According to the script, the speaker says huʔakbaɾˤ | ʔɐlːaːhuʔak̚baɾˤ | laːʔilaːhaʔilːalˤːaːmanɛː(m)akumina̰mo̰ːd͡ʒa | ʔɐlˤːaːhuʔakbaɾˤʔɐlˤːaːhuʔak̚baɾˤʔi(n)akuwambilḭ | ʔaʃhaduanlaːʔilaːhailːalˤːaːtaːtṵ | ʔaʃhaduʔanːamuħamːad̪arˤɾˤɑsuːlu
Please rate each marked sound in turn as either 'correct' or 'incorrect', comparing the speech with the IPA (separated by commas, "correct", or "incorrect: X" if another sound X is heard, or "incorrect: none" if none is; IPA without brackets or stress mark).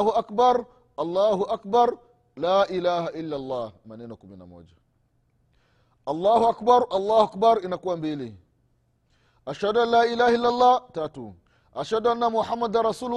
incorrect: n, correct